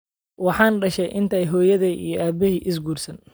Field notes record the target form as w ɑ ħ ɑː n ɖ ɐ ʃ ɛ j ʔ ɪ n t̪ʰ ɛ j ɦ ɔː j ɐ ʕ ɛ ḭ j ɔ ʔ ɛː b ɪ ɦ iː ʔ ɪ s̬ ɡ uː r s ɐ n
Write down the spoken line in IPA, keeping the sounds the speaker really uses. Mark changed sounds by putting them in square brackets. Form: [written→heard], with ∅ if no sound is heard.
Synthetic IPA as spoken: w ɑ ħ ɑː n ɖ ɐ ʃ ɛ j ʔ ɪ n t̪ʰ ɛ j ɦ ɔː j ɐ [ʕ→ð] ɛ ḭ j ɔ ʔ [ɛː→aː] b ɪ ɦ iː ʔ ɪ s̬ ɡ uː r s ɐ n